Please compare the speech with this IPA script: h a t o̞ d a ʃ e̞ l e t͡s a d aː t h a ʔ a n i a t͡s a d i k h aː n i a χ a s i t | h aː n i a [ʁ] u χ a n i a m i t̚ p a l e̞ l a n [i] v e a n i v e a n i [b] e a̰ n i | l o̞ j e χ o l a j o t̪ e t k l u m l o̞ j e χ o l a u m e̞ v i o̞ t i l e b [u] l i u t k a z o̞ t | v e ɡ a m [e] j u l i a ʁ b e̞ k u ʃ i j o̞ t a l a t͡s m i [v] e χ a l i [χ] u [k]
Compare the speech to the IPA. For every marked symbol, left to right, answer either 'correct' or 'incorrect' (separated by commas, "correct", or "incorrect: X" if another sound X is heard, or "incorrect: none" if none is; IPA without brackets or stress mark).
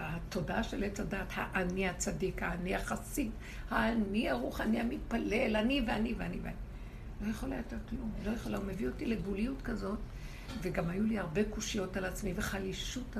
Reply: correct, correct, incorrect: v, correct, incorrect: a, correct, incorrect: ʃ, incorrect: t